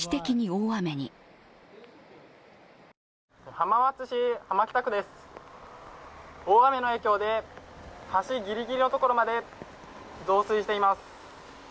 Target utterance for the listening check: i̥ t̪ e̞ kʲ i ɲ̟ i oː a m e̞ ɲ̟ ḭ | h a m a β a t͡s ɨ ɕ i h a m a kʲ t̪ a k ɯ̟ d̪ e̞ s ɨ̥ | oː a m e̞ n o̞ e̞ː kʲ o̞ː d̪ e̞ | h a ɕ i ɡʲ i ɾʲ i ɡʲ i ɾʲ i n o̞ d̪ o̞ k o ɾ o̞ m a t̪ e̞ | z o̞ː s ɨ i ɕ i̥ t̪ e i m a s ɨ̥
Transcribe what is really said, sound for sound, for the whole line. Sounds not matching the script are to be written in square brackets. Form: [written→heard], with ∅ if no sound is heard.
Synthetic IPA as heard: i̥ t̪ e̞ kʲ i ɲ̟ i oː a m e̞ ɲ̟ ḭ | h a m a β a t͡s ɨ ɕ i h a m a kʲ t̪ a k ɯ̟ d̪ e̞ s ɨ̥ | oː a m e̞ n o̞ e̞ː kʲ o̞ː d̪ e̞ | h a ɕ i ɡʲ i ɾʲ i ɡʲ i ɾʲ i n o̞ [d̪→t̪] o̞ k o ɾ o̞ m a [t̪→d̪] e̞ | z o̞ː s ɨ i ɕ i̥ t̪ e i m a s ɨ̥